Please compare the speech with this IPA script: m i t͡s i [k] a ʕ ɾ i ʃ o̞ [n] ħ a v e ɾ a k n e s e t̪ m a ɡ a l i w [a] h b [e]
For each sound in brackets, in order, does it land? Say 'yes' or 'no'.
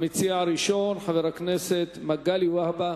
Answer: no, yes, yes, no

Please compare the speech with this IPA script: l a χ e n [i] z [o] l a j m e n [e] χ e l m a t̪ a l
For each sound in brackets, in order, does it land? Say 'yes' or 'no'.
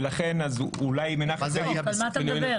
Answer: no, no, no

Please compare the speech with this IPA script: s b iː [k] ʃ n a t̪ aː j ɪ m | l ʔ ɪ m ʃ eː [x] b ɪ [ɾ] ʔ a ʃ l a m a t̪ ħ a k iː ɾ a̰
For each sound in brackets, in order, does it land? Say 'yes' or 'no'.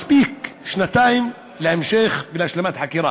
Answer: yes, yes, no

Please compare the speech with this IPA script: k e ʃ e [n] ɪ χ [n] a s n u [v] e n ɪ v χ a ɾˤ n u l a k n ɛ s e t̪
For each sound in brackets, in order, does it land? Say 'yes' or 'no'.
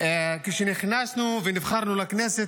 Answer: yes, yes, yes

